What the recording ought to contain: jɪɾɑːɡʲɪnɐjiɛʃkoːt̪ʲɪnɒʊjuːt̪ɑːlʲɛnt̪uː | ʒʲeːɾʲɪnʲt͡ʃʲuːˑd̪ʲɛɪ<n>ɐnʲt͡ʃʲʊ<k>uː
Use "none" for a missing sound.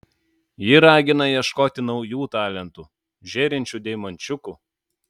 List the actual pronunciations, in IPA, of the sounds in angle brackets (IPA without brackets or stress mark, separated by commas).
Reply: m, k